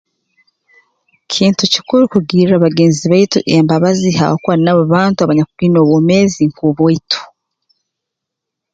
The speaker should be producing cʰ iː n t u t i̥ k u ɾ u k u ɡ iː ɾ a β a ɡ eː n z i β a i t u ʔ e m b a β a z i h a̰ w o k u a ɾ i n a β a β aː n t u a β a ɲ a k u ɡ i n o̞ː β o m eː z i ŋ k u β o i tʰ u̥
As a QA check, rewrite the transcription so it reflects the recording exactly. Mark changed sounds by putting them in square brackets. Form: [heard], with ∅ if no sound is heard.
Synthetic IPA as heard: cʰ iː n t u [c] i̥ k u ɾ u k u ɡ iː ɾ a β a ɡ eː n z i β a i t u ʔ e m b a β a z i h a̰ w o k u a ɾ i n a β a β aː n t u a β a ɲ a k u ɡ i n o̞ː β o m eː z i ŋ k u β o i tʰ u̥